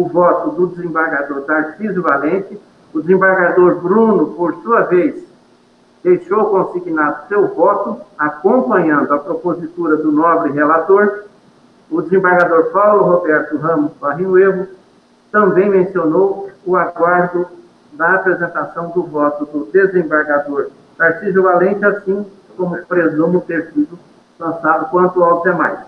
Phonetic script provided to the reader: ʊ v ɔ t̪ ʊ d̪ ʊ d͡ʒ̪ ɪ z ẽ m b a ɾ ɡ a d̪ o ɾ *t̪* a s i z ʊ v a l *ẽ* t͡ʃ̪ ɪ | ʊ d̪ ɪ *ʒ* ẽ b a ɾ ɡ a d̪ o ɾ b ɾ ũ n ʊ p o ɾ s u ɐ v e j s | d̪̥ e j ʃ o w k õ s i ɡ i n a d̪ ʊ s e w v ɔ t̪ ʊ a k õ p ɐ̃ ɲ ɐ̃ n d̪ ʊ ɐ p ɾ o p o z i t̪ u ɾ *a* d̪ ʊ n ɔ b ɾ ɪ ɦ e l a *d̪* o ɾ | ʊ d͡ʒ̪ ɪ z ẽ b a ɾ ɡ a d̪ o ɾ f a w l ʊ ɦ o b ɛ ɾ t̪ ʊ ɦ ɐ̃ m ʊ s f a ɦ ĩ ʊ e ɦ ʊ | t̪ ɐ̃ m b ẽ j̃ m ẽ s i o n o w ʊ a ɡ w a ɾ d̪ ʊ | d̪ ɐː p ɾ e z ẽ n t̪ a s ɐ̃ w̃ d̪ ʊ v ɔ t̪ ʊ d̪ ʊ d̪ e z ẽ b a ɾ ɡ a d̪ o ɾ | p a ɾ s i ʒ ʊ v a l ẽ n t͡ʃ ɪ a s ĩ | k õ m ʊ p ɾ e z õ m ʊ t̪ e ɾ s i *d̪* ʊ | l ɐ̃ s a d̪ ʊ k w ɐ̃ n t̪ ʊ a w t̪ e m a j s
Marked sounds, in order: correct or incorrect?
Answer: incorrect, correct, incorrect, incorrect, incorrect, correct

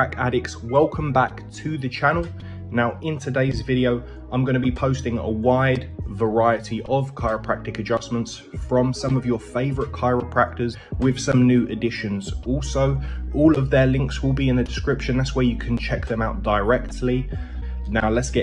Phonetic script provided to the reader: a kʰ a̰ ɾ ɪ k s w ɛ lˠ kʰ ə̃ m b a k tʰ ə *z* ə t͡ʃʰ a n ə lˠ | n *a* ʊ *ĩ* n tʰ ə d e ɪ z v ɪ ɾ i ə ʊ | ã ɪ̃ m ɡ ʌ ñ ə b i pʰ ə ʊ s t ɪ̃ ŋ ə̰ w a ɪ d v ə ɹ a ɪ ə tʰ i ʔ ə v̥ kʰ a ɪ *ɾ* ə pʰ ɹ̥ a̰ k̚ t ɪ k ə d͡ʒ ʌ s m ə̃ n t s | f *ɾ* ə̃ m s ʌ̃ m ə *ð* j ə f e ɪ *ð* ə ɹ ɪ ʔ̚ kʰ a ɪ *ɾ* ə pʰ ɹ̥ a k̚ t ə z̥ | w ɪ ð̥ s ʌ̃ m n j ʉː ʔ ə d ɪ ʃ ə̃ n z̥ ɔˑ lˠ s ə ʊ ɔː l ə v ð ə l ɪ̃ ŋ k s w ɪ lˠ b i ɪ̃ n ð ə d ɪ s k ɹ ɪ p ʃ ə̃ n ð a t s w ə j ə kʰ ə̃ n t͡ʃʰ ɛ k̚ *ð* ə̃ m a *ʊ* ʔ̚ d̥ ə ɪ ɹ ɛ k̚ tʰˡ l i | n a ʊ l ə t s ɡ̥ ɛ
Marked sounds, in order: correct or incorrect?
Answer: incorrect, correct, incorrect, incorrect, incorrect, incorrect, incorrect, incorrect, correct, correct

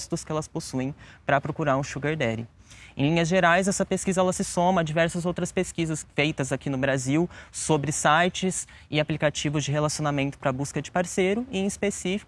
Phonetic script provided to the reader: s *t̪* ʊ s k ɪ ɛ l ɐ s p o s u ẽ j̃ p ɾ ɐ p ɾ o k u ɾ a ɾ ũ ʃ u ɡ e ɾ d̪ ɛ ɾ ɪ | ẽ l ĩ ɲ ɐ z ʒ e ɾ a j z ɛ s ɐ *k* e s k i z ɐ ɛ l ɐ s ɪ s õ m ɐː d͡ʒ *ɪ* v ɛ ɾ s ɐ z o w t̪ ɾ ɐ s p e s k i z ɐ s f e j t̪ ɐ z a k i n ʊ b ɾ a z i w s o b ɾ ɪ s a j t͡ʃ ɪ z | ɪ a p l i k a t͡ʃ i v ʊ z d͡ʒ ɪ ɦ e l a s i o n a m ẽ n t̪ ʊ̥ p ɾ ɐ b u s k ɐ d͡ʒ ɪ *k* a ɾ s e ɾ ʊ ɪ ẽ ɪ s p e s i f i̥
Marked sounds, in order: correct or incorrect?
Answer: correct, incorrect, incorrect, incorrect

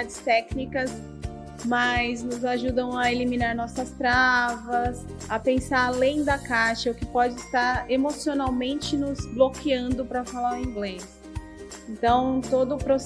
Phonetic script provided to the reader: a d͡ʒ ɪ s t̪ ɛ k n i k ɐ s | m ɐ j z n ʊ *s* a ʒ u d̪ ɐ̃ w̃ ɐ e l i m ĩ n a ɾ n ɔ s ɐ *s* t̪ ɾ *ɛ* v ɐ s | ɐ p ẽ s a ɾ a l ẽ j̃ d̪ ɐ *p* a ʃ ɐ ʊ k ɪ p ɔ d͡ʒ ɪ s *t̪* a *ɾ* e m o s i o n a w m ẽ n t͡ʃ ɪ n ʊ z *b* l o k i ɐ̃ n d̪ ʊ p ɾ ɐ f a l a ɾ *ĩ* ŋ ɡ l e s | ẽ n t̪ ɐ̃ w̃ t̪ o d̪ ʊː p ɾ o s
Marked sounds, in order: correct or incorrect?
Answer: incorrect, correct, incorrect, incorrect, correct, correct, correct, correct

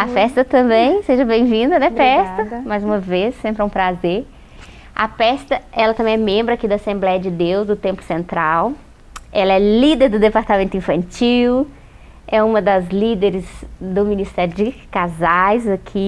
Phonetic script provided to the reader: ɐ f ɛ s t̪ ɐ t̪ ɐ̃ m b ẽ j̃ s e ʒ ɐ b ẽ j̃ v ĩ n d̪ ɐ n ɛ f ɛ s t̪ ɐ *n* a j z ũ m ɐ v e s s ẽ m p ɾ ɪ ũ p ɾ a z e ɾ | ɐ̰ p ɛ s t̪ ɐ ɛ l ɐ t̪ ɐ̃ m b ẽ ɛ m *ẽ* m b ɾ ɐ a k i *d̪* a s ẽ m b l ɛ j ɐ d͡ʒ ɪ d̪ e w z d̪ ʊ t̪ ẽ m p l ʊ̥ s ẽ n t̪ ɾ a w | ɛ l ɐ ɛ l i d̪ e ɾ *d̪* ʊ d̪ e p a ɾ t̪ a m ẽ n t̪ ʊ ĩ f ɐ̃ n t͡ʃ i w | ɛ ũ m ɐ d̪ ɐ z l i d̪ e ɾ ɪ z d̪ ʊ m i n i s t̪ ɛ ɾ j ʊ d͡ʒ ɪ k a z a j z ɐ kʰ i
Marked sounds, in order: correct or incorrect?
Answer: incorrect, correct, correct, correct

